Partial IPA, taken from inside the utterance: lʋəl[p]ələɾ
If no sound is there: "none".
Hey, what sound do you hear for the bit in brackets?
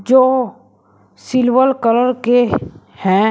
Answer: k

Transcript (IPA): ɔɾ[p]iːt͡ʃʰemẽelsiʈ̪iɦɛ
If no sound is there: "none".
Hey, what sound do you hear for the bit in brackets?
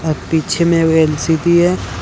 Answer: p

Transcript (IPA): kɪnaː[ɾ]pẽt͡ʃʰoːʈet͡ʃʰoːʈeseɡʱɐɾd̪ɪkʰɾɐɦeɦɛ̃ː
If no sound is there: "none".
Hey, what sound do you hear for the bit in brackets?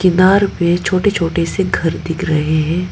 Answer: ɾ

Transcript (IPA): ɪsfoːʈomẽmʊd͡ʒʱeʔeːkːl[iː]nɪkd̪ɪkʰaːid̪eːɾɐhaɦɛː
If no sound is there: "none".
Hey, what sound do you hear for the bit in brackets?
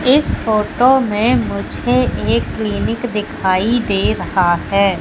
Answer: iː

